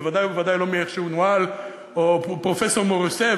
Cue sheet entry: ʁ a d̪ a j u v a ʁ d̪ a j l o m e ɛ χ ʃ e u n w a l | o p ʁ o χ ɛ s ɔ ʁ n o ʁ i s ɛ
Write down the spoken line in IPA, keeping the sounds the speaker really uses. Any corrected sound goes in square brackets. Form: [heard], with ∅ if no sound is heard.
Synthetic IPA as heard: [v] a d̪ a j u v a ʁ d̪ a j l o m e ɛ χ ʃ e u n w a l | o p ʁ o [f] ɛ s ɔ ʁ [m] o ʁ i s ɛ